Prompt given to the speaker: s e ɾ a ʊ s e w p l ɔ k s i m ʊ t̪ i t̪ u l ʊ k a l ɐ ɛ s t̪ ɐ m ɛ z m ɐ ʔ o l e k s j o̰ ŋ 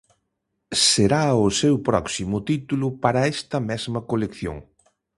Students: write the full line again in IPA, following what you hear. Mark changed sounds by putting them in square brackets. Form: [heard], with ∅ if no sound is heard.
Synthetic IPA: s e ɾ a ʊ s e w p [ɾ] ɔ k s i m ʊ t̪ i t̪ u l ʊ [p] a [ɾ] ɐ ɛ s t̪ ɐ m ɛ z m ɐ [k] o l e k [θ] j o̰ ŋ